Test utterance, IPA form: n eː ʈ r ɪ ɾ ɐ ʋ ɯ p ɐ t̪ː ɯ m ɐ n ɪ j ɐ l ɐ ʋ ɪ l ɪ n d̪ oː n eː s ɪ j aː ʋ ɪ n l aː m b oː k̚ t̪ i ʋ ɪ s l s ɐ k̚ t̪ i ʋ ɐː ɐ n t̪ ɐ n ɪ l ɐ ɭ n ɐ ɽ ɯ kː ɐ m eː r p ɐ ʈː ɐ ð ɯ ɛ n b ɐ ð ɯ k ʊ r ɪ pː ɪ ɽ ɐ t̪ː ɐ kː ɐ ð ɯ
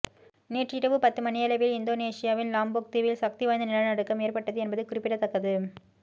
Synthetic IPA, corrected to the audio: n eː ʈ r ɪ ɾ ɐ ʋ ɯ p ɐ t̪ː ɯ m ɐ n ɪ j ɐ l ɐ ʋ ɪ l ɪ n d̪ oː n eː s ɪ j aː ʋ ɪ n l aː m b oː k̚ t̪ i ʋ ɪ l s ɐ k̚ t̪ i ʋ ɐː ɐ n d̪ ɐ n ɪ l ɐ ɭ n ɐ ɽ ɯ kː ɐ m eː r p ɐ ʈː ɐ ð ɯ ɛ n b ɐ ð ɯ k ʊ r ɪ pː ɪ ɽ ɐ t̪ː ɐ kː ɐ ð ɯ